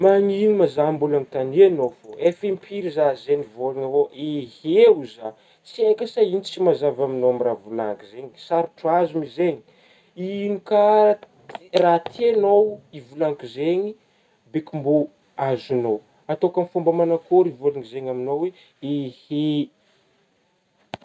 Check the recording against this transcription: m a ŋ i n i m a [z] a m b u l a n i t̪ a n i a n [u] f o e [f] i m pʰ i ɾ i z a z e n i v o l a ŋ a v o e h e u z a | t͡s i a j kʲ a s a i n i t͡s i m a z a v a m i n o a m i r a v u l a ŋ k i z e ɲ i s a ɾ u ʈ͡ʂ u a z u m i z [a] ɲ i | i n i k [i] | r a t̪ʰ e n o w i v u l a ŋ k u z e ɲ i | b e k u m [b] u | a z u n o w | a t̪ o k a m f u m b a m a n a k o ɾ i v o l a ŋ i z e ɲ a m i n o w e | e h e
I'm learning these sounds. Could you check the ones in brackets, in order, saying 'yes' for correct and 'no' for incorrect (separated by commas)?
yes, no, yes, no, no, yes